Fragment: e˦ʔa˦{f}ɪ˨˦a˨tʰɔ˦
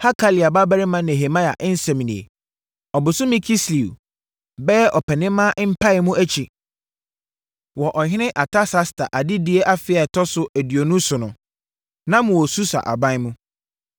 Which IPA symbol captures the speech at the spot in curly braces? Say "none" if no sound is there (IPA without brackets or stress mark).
f